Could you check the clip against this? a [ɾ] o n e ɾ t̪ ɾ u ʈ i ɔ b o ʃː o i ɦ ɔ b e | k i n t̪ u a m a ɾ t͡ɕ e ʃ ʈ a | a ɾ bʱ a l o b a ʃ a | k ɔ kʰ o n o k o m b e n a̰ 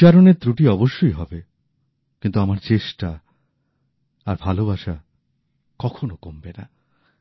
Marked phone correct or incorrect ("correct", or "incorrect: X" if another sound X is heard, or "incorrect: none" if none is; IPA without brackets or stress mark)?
correct